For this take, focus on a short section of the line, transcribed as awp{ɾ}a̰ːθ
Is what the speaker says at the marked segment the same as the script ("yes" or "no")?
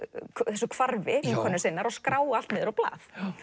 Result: no